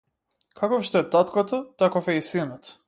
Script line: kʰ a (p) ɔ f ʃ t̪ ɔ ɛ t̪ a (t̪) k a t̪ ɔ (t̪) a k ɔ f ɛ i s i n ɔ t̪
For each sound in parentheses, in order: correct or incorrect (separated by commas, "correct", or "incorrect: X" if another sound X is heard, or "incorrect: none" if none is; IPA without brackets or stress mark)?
incorrect: k, correct, correct